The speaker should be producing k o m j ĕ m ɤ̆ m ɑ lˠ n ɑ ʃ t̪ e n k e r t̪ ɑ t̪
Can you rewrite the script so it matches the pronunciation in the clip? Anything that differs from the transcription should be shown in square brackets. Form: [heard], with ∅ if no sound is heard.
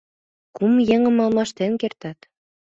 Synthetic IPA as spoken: k [u] m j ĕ [ŋ] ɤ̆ m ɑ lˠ [m] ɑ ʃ t̪ e n k e r t̪ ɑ t̪

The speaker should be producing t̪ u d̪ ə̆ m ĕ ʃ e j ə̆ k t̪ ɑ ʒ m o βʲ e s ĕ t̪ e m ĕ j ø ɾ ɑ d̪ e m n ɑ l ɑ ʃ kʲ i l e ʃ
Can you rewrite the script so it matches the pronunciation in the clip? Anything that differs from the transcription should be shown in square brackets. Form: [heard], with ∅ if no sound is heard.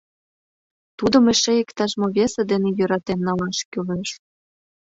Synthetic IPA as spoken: t̪ u d̪ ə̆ m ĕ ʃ e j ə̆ k t̪ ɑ ʒ m o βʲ e s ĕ [d̪] e [n] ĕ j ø ɾ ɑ [t̪] e m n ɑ l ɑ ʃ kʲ [y] l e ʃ

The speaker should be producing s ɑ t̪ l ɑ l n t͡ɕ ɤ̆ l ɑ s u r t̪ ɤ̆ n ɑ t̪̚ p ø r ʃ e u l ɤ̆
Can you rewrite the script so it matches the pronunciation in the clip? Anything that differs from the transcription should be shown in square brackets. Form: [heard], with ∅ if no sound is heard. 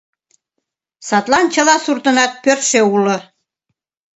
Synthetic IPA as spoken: s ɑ t̪ l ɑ [∅] n t͡ɕ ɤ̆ l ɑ s u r t̪ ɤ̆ n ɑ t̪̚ p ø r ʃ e u l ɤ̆

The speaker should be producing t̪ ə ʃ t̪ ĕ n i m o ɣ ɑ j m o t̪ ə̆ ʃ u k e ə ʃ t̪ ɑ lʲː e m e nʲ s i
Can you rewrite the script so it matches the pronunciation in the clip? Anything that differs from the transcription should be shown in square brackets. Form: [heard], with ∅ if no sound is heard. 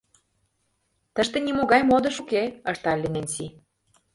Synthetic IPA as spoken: t̪ ə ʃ t̪ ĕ n i m o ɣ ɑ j m o [d̪] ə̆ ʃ u k e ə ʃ t̪ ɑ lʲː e [n] e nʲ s i

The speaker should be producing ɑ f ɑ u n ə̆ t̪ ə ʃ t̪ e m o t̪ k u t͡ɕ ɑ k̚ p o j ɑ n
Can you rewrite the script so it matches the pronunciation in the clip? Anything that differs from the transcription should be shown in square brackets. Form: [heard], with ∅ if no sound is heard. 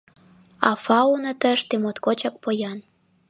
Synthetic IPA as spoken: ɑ f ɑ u n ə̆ t̪ ə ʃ t̪ e m o t̪ k [o] t͡ɕ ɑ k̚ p o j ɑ n

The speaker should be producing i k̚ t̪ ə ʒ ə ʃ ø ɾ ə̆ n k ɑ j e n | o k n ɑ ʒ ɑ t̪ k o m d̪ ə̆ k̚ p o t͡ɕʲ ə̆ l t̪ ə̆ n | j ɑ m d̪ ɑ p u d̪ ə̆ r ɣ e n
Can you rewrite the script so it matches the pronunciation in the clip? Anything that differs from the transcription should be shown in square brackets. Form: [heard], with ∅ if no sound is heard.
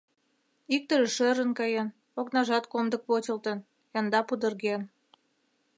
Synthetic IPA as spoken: i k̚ t̪ ə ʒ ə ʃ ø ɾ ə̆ n k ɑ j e n | o k n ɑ ʒ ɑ t̪ k o m d̪ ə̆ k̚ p o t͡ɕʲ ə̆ l t̪ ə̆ n | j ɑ [n] d̪ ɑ p u d̪ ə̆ r ɣ e n

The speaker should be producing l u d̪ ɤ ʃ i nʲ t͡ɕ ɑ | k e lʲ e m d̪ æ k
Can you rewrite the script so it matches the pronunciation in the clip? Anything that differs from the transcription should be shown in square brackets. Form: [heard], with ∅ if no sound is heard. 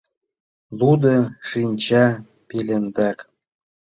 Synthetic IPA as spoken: l u d̪ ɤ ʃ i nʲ t͡ɕ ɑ | [p] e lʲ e [n] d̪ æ k

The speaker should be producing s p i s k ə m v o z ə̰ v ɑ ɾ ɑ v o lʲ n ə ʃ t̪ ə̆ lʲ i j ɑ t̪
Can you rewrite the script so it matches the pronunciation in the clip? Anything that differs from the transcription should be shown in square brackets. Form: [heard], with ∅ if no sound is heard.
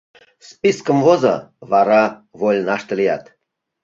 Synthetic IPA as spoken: s p i s k ə m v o z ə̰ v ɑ ɾ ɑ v o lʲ n [ɑ] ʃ t̪ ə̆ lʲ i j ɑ t̪

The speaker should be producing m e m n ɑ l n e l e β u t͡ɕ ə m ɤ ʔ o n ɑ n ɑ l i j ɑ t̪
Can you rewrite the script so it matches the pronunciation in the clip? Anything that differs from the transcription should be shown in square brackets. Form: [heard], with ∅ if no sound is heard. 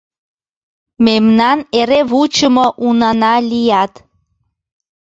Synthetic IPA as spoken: m e m n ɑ [∅] n e [ɾ] e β u t͡ɕ ə m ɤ ʔ [u] n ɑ n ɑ l i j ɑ t̪

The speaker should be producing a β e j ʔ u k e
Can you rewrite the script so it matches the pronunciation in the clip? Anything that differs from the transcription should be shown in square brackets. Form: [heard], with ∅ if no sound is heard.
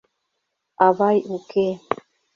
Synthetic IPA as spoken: a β [a] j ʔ u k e

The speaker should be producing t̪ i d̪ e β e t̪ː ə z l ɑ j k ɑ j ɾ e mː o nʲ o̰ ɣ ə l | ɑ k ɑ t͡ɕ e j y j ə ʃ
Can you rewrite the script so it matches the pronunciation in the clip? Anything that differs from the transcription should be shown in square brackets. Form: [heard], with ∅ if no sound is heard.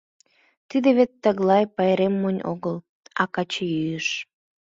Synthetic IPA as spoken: t̪ i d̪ e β e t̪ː ə [ɣ] l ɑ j [p] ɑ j ɾ e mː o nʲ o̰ ɣ ə l | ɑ k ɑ t͡ɕ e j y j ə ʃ

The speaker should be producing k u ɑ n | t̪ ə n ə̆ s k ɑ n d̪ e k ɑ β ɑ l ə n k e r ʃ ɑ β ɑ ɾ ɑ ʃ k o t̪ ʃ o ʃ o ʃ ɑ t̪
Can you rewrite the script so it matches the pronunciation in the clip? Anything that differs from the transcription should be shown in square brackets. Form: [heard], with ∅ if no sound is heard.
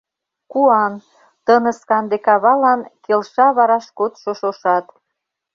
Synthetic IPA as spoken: k u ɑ n | t̪ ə n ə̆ s k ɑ n d̪ e k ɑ β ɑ l [ɑ] n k e [l] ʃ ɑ β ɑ ɾ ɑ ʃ k o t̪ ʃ o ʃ o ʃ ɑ t̪

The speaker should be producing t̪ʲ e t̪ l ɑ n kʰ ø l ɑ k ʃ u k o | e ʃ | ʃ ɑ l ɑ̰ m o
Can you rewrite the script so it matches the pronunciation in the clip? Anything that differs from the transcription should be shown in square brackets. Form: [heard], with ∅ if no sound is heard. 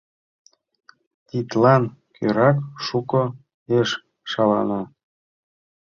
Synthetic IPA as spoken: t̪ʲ [i] t̪ l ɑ n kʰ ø [ɾ] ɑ k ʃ u k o | e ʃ | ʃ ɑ l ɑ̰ [n] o

